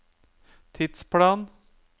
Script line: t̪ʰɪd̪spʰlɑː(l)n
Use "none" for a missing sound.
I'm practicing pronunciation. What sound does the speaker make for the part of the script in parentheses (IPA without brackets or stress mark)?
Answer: none